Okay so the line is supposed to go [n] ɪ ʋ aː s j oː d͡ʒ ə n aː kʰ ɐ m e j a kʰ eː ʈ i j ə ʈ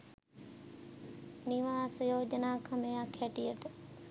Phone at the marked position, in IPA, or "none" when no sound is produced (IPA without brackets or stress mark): n